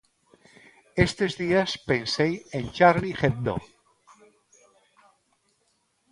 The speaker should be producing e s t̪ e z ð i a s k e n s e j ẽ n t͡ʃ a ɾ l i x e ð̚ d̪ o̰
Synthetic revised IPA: e s t̪ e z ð i a s p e n s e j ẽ n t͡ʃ a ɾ l i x e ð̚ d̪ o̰